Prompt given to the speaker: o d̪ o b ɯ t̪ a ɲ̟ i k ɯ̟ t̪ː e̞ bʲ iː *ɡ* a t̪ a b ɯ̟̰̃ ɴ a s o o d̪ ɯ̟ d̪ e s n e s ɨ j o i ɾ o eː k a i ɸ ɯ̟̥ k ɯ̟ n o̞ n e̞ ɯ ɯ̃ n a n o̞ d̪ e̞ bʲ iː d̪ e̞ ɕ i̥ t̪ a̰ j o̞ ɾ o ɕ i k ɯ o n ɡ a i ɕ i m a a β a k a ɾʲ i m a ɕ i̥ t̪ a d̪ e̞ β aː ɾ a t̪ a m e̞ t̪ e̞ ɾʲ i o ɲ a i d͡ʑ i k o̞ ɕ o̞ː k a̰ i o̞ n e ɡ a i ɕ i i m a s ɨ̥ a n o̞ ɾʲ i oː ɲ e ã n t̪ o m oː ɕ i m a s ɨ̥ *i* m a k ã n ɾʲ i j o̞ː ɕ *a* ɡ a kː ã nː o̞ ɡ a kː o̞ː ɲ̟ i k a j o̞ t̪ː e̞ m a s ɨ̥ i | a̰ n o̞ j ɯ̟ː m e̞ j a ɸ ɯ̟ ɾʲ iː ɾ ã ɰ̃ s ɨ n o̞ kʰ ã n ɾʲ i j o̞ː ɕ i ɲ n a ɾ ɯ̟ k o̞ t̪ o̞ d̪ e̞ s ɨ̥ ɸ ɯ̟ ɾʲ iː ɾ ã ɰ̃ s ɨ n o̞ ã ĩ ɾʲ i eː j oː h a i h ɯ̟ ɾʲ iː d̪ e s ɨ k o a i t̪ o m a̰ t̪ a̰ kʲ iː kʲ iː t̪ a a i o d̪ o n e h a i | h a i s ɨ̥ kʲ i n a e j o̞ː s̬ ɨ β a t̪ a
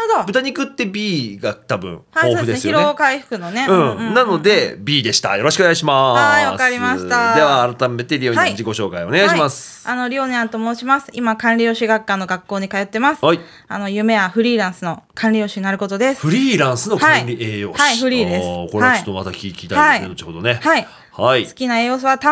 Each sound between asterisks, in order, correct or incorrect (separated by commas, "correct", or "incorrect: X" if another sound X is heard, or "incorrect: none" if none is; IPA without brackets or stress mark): correct, correct, incorrect: i